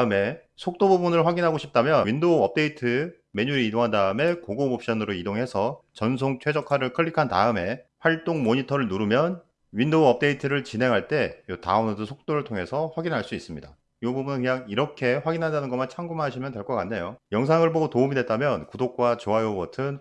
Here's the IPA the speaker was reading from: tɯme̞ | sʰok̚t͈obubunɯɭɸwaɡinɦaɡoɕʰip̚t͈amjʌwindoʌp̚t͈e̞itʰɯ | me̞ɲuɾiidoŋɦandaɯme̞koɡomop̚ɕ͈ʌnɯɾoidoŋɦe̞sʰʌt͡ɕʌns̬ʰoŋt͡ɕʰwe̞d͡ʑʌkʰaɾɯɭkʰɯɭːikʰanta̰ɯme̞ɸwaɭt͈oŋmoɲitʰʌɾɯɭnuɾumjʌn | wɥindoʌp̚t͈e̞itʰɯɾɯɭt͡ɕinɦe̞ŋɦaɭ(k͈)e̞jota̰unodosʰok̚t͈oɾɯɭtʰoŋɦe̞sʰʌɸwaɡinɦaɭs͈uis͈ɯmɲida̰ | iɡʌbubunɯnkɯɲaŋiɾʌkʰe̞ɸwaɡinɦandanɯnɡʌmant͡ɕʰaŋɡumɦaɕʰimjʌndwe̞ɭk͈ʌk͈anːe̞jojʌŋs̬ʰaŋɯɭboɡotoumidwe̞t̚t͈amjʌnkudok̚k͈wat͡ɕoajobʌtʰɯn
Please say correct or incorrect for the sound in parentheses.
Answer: incorrect: t͈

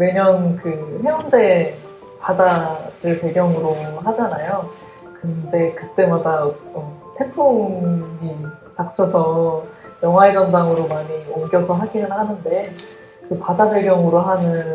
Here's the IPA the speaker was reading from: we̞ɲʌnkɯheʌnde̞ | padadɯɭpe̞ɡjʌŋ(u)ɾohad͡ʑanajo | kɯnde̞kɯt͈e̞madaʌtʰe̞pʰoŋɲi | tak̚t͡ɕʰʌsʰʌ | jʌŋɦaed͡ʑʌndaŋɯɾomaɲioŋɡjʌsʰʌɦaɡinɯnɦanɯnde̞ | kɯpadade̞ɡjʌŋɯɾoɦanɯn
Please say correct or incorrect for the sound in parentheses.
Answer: incorrect: ɯ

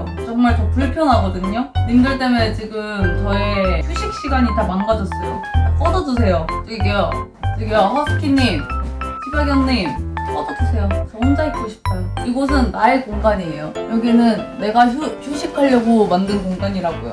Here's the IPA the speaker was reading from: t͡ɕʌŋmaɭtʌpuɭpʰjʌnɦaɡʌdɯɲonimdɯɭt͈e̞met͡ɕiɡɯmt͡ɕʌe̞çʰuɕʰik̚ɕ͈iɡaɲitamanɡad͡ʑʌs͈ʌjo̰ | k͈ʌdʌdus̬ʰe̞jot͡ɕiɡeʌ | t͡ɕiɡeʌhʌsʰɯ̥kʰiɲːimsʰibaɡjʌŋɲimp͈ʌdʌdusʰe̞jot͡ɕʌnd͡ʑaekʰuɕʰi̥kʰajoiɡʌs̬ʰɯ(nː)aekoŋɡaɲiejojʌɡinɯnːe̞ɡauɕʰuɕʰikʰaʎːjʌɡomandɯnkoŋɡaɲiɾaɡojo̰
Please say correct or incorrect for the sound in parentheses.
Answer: correct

